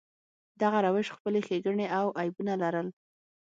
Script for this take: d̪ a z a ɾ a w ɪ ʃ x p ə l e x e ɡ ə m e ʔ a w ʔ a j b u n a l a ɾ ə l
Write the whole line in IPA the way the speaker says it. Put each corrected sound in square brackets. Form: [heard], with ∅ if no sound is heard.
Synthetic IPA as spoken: d̪ a [ɣ] a ɾ a w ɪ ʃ x p ə l e x e ɡ ə [ɳ] e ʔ a w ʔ a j b u n a l a ɾ ə l